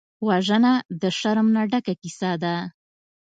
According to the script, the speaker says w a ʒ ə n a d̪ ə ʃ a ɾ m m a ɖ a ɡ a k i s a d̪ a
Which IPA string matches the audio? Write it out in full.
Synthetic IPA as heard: w a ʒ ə n a d̪ ə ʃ a ɾ m n a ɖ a k a k i s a d̪ a